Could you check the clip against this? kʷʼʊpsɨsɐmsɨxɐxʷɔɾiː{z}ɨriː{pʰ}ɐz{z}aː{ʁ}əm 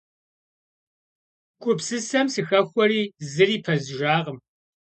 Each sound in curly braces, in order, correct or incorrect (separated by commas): correct, correct, incorrect, correct